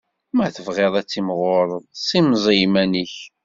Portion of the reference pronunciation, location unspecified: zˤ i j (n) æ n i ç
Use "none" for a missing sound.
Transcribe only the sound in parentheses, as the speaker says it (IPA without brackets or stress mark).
m